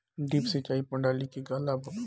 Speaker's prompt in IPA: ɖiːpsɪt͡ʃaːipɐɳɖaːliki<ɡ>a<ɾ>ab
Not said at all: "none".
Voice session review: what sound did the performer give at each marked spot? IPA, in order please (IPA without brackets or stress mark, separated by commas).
ɡ, l